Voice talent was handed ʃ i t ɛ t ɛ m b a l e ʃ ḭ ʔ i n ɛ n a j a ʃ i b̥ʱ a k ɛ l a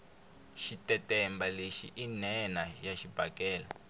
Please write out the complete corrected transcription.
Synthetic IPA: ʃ i t ɛ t ɛ m b a l e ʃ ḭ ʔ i n ɛ n a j a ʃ i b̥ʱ a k ɛː l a